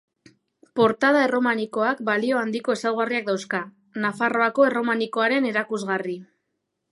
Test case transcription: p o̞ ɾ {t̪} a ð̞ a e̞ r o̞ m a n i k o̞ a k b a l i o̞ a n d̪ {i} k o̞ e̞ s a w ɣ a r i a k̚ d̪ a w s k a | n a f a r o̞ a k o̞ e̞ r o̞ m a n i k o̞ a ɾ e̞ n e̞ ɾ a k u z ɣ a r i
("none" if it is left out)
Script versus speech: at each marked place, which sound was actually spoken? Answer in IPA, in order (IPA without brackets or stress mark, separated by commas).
t̪, i